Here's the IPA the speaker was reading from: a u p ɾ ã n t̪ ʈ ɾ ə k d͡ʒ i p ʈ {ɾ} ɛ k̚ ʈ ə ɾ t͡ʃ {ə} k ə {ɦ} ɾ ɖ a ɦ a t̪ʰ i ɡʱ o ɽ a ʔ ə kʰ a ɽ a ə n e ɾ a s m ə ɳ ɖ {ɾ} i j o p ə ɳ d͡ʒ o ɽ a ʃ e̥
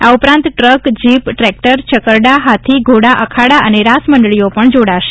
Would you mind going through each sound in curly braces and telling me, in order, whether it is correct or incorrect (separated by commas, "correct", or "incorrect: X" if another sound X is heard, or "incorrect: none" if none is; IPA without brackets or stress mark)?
correct, correct, incorrect: none, incorrect: ɭ